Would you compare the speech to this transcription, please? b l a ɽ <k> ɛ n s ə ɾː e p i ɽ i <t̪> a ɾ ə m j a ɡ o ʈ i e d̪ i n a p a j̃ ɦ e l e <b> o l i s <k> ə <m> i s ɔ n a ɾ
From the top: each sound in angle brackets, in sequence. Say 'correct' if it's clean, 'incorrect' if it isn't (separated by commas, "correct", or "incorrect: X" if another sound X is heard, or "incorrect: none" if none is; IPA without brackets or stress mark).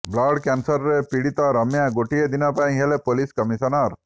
correct, correct, incorrect: p, correct, correct